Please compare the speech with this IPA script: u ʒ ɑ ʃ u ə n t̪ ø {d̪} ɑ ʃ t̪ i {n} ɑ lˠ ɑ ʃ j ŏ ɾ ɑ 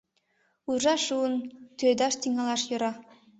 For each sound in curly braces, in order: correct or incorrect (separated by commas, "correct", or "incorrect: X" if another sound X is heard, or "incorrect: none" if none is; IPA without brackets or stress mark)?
correct, incorrect: ŋ